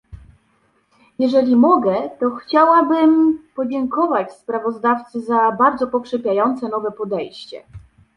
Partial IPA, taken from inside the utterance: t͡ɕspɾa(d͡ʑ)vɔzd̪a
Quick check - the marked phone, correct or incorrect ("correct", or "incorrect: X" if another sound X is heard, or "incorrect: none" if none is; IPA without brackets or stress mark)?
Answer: incorrect: none